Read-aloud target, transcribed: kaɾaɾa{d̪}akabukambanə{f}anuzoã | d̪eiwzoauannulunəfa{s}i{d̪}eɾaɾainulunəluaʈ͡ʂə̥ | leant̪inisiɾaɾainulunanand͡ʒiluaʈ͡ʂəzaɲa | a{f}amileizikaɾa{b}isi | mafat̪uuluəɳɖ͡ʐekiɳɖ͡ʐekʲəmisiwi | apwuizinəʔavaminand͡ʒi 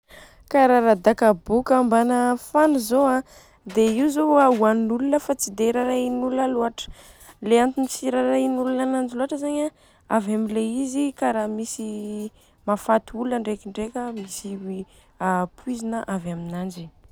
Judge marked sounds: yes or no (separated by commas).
yes, yes, no, yes, no, no